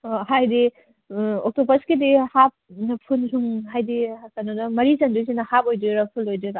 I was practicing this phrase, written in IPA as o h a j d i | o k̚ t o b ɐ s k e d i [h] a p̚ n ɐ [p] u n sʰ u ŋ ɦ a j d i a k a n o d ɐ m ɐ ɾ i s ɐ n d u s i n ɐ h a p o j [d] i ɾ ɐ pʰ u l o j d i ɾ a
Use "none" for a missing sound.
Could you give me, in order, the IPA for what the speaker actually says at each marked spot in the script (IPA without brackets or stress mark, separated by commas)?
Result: h, pʰ, d